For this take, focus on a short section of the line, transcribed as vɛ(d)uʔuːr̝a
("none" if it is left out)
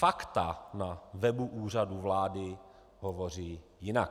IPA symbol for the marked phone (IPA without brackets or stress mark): b